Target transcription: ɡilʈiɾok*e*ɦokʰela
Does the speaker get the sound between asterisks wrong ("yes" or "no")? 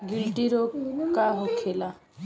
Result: yes